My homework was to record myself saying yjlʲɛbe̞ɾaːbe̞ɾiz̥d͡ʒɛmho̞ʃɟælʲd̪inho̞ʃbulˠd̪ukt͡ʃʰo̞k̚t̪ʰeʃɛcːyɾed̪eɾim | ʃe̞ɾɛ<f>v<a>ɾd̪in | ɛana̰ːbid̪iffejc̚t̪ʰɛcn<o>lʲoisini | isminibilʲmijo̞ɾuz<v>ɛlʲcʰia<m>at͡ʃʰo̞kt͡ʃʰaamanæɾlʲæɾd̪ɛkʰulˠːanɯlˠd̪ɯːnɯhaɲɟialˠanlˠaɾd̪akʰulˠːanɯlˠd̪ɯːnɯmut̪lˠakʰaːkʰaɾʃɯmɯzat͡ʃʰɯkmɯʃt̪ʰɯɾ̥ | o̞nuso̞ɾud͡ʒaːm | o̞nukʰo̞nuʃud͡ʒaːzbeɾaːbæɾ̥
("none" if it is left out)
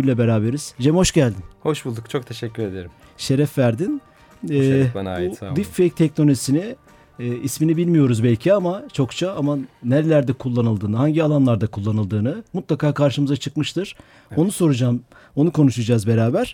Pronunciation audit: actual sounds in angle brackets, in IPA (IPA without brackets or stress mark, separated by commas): f, æ, o, b, m